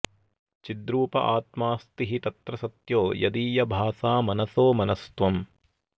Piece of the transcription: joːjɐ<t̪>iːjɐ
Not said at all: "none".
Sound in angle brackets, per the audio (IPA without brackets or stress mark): d̪